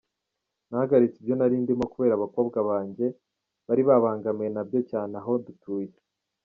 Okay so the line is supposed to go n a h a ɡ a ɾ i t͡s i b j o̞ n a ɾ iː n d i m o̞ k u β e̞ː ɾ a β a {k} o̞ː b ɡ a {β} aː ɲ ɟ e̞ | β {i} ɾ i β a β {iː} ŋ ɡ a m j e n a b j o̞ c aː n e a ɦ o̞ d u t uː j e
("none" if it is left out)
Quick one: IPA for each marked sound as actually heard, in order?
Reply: k, β, a, aː

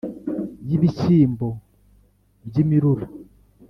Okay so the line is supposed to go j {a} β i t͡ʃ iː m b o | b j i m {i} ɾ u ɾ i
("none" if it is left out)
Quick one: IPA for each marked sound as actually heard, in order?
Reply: i, i

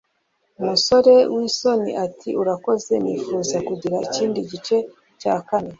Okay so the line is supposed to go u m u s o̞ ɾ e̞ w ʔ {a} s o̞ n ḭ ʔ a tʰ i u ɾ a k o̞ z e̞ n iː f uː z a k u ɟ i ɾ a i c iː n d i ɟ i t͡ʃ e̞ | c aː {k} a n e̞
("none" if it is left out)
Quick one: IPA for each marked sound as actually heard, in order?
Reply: i, k

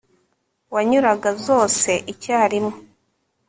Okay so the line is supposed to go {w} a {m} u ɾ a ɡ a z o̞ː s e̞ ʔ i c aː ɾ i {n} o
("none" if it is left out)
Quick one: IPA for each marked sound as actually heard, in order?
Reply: w, ɲ, m

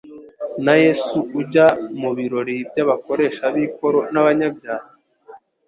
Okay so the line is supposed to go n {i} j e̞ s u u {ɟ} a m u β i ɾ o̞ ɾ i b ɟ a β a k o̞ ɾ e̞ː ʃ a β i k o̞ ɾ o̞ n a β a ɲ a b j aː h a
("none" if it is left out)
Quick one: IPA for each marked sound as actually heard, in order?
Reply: a, ɟ

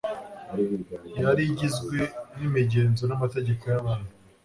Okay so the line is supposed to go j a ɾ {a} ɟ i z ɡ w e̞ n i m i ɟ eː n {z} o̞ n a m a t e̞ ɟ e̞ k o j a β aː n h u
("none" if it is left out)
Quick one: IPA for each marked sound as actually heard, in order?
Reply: i, z

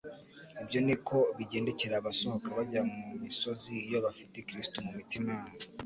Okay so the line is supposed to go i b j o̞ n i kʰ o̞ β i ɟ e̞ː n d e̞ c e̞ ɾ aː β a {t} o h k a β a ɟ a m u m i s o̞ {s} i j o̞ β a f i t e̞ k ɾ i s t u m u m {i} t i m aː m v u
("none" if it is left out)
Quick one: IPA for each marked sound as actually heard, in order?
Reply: s, z, i

